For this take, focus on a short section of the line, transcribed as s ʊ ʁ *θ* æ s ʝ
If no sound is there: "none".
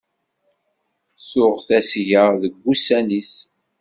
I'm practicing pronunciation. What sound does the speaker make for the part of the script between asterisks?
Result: θ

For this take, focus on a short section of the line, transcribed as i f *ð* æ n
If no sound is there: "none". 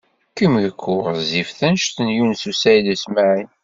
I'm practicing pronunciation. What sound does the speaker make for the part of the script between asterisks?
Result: θ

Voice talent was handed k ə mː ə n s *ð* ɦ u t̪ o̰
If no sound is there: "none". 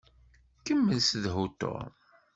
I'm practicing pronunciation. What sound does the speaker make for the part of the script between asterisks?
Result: ð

